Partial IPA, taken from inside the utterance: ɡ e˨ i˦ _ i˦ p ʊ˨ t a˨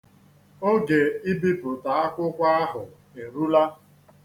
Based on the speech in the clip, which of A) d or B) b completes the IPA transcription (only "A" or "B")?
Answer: B